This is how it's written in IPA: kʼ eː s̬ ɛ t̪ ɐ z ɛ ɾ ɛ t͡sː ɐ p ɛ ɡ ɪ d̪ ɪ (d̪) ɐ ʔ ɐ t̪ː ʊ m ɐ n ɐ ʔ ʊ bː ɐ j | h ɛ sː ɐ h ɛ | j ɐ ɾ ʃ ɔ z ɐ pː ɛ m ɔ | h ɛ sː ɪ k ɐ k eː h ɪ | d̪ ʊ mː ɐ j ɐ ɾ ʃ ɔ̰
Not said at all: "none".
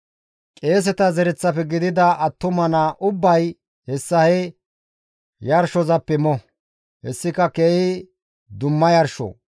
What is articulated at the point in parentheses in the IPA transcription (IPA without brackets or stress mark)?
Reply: d̪